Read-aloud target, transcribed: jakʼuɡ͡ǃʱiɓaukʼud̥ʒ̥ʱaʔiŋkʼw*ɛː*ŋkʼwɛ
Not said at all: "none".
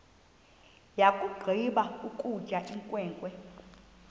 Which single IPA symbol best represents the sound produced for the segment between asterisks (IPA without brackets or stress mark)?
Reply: ɛː